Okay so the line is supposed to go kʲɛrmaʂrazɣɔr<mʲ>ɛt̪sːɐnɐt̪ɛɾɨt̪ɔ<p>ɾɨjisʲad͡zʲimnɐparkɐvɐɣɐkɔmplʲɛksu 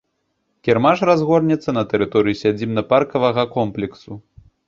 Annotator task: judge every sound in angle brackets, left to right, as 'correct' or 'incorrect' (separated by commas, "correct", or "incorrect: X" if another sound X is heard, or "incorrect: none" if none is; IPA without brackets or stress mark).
incorrect: nʲ, incorrect: none